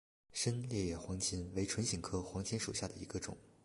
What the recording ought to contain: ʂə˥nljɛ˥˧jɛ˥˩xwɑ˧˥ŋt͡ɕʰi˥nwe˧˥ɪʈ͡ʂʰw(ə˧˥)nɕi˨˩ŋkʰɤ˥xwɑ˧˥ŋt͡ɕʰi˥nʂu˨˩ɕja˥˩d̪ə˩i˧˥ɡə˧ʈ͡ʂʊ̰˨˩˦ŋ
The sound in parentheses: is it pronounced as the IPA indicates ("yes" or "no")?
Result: yes